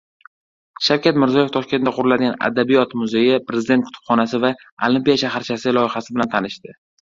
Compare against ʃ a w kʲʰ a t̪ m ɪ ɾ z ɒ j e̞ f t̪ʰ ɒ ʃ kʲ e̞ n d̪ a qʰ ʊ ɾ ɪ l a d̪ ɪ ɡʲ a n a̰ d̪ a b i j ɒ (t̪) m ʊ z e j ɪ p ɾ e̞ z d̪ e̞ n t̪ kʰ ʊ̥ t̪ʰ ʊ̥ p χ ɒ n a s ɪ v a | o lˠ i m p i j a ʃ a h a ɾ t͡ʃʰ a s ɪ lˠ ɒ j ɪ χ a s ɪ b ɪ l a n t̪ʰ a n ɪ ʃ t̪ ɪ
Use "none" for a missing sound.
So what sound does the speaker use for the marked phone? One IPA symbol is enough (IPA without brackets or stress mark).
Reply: t̪